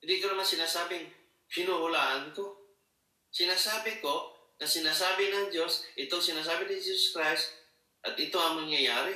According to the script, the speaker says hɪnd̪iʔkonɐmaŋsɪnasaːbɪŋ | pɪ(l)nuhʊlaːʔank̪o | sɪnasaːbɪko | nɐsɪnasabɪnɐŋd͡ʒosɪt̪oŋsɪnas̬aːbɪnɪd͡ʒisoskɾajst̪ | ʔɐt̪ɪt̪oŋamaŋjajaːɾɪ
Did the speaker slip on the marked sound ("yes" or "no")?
yes